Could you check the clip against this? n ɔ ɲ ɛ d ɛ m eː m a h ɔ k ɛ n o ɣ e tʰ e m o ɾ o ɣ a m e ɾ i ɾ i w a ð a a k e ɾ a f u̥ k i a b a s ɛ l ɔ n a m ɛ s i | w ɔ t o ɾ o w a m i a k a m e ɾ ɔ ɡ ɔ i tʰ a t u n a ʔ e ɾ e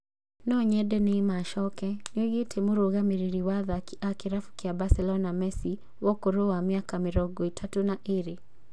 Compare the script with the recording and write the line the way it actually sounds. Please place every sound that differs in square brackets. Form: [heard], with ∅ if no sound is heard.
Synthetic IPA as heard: n ɔ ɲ ɛ d ɛ [n] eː m a [ʃ] ɔ k ɛ n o ɣ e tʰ e m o ɾ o ɣ a m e ɾ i ɾ i w a ð a a k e ɾ a f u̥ k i a b a s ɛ l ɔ n a m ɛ s i | w ɔ [k] o ɾ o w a m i a k a m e ɾ ɔ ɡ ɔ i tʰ a t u n a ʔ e ɾ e